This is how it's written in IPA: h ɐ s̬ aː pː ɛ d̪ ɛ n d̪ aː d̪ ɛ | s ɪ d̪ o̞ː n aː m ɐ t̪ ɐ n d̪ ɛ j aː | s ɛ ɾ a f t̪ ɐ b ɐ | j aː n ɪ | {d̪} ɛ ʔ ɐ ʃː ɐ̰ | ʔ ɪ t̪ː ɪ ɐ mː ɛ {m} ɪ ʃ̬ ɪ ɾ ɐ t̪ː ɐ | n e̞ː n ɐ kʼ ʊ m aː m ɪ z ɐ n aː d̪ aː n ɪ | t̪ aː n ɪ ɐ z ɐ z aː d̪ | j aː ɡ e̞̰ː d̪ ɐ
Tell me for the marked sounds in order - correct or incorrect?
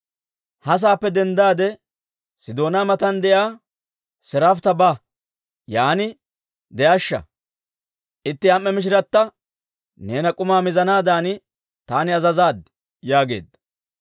correct, correct

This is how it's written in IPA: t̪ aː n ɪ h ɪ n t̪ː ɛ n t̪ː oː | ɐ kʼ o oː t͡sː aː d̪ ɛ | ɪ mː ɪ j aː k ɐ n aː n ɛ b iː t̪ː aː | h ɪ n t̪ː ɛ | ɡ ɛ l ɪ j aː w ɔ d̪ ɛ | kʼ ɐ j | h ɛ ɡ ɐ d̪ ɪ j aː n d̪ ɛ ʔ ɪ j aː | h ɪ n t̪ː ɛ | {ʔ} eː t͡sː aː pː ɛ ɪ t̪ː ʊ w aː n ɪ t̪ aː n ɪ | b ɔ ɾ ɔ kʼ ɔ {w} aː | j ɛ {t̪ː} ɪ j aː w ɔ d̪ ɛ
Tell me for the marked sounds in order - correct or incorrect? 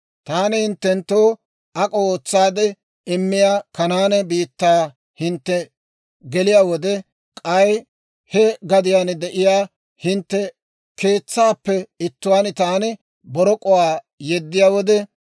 incorrect, correct, incorrect

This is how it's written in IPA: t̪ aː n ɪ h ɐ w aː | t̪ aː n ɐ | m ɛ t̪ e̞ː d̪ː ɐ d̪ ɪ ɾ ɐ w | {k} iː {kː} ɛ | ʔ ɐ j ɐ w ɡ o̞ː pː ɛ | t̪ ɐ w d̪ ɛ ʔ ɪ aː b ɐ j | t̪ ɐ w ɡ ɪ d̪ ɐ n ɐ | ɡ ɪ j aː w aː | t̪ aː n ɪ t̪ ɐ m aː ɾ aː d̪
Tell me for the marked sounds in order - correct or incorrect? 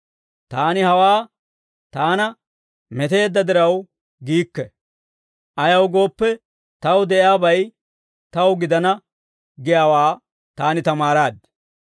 incorrect, correct

